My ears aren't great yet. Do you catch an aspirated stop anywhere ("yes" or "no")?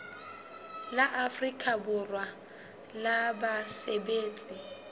no